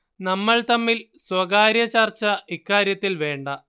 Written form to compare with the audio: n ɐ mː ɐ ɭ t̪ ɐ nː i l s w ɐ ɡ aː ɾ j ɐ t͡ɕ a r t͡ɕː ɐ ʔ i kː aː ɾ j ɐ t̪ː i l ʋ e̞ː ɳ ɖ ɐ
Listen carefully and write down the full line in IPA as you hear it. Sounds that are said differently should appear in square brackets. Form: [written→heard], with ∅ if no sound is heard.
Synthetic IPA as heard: n ɐ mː ɐ ɭ t̪ ɐ [nː→mː] i l s w ɐ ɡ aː ɾ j ɐ t͡ɕ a r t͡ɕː ɐ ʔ i kː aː ɾ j ɐ t̪ː i l ʋ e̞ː ɳ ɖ ɐ